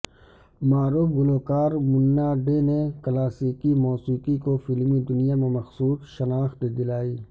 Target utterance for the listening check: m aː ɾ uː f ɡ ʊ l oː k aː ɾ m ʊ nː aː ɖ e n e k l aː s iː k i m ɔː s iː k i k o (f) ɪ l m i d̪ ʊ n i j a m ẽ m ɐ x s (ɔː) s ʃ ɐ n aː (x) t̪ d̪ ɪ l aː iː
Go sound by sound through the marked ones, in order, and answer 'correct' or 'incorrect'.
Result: correct, incorrect: uː, correct

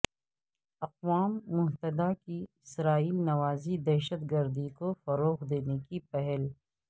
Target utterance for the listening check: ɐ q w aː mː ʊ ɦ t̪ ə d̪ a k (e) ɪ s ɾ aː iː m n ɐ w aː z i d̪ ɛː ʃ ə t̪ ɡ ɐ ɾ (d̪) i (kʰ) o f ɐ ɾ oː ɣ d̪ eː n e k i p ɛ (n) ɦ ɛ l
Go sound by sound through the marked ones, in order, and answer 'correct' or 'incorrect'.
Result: incorrect: i, correct, incorrect: k, incorrect: none

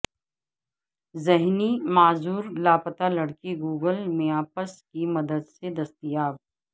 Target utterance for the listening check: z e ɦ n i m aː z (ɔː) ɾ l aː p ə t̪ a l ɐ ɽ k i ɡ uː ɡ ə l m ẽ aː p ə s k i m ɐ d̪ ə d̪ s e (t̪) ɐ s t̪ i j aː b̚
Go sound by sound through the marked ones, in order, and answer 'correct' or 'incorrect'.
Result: incorrect: uː, incorrect: d̪

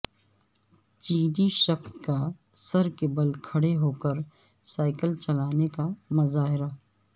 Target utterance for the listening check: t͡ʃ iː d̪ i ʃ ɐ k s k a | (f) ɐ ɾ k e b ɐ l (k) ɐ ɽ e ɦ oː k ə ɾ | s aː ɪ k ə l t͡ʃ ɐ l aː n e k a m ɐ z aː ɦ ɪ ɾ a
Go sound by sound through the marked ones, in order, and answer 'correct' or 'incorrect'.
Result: incorrect: s, incorrect: kʰ

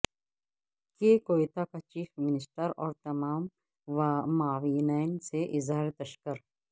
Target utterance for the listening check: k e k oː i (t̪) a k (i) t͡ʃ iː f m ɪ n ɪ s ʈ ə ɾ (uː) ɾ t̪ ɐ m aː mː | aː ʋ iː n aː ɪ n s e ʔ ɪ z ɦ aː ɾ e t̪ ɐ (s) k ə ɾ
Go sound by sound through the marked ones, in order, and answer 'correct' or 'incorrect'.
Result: correct, incorrect: a, incorrect: ɔː, incorrect: ʃ

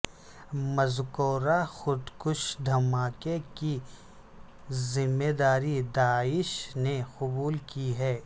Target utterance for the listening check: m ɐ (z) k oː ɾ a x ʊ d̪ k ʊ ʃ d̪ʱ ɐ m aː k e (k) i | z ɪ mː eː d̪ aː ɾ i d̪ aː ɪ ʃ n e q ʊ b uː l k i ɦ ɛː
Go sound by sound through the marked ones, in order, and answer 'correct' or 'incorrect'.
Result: correct, correct

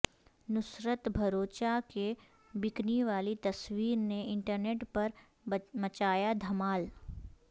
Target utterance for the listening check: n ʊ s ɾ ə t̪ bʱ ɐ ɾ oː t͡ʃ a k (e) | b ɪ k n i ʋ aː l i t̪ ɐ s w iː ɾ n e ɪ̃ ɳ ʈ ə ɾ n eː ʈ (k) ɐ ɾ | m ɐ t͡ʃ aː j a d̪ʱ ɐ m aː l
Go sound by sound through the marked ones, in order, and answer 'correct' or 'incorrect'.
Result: correct, incorrect: p

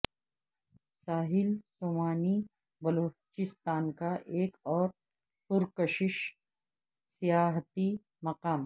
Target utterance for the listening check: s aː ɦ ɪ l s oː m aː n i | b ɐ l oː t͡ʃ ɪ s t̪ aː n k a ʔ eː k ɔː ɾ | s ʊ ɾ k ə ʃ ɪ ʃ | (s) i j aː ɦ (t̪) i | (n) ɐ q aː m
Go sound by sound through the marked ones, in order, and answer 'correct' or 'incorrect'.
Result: correct, correct, incorrect: m

